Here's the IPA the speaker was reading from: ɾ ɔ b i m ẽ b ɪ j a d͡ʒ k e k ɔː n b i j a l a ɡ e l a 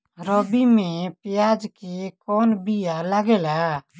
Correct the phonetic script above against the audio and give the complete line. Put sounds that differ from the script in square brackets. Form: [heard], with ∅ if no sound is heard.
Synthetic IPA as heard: ɾ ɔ b i m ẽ [p] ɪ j a d͡ʒ k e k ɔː n b i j a l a ɡ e l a

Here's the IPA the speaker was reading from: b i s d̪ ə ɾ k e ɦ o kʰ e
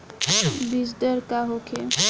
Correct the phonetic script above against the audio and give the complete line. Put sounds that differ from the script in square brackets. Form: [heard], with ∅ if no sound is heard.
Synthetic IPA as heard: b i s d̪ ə ɾ k [a] ɦ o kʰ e

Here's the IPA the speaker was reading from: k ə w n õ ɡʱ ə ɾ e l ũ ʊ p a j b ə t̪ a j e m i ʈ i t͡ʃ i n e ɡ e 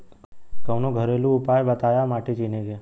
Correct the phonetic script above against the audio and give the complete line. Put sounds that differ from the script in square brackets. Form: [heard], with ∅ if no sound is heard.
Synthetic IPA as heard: k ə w n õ ɡʱ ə ɾ e l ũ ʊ p a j b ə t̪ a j [a] m [a] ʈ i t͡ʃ i n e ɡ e

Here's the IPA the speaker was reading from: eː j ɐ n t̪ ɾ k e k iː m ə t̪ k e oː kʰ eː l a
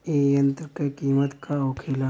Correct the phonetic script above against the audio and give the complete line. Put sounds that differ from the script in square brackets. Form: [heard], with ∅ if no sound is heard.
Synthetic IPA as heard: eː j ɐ n t̪ ɾ k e k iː m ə t̪ k [a] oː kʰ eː l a

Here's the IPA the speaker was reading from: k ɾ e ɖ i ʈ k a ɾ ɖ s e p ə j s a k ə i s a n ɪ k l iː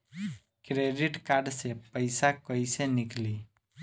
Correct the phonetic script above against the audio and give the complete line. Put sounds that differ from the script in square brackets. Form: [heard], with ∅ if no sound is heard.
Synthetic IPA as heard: k ɾ e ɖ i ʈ k a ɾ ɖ s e p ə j s a k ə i s [e] n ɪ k l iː

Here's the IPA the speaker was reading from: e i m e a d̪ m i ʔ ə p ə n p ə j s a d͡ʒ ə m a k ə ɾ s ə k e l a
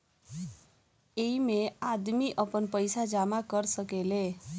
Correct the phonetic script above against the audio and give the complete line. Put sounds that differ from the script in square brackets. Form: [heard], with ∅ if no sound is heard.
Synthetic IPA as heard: e i m e a d̪ m i ʔ ə p ə n p ə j s a d͡ʒ [a] m a k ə ɾ s ə k e l [e]

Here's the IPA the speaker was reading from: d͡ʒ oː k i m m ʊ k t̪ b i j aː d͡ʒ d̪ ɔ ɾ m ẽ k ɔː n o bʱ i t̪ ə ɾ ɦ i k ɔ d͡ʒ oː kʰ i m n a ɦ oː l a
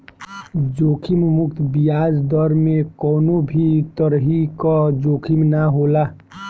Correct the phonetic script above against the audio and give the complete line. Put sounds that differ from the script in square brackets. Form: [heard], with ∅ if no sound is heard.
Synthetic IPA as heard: d͡ʒ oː [kʰ] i m m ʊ k t̪ b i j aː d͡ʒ d̪ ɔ ɾ m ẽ k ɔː n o bʱ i t̪ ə ɾ ɦ i k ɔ d͡ʒ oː kʰ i m n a ɦ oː l a

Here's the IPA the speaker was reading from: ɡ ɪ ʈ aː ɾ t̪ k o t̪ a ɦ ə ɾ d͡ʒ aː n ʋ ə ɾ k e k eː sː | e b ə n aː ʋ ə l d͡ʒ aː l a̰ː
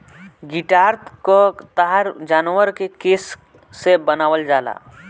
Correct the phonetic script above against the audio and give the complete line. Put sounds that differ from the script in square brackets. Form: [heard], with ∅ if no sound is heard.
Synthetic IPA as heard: ɡ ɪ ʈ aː ɾ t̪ k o t̪ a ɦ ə ɾ d͡ʒ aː n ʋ ə ɾ k e k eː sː | e b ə n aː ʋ ə l d͡ʒ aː l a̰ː

